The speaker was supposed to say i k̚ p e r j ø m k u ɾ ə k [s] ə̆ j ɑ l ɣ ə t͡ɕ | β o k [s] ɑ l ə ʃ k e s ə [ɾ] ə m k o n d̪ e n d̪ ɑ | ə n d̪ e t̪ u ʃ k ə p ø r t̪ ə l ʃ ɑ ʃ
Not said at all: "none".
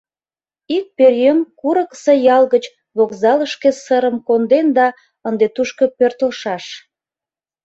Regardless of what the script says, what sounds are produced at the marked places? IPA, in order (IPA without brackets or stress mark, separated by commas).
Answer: s, z, ɾ